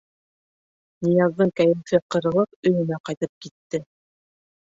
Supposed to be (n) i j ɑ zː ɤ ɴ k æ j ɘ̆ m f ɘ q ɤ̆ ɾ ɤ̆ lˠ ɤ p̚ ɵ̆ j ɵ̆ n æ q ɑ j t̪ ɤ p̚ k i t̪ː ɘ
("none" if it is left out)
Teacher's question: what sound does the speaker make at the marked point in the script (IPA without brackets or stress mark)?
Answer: n